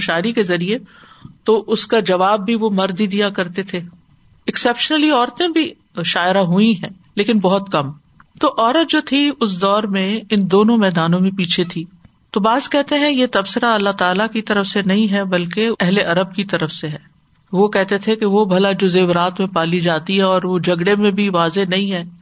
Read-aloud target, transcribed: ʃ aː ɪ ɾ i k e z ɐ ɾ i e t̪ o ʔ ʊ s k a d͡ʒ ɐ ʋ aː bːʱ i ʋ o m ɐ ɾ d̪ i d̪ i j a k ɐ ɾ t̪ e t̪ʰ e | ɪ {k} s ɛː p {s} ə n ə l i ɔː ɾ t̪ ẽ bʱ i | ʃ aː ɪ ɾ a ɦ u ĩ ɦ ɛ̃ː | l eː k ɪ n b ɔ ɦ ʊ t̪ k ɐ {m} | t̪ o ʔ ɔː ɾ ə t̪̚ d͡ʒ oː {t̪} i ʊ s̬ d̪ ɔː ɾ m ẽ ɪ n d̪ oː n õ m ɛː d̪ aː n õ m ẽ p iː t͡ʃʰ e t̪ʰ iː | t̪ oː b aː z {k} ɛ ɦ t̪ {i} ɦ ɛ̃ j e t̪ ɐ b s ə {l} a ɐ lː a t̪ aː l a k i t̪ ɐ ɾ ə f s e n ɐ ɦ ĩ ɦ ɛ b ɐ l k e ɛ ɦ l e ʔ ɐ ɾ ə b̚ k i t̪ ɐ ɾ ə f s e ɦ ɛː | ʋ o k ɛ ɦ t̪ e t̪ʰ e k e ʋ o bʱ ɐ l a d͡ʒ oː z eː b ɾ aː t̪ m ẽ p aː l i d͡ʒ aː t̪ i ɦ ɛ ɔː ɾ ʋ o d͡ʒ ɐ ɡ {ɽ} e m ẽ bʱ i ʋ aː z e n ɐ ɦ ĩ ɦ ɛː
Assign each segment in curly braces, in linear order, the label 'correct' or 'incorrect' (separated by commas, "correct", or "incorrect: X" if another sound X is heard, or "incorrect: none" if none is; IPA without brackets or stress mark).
correct, incorrect: ʃ, correct, incorrect: t̪ʰ, correct, incorrect: e, incorrect: ɾ, correct